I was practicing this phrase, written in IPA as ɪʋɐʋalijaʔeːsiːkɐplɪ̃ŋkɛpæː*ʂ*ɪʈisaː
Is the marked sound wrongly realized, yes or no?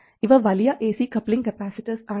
yes